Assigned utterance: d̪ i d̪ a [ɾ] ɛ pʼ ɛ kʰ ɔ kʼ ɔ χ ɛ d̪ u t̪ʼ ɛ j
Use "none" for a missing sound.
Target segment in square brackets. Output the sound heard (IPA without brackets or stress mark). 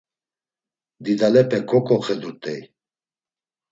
l